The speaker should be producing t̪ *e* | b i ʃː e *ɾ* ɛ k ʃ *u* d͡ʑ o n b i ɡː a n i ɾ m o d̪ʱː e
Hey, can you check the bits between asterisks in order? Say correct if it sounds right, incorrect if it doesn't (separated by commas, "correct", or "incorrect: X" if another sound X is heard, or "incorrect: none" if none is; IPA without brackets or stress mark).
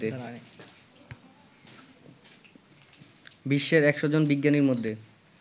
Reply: correct, correct, incorrect: o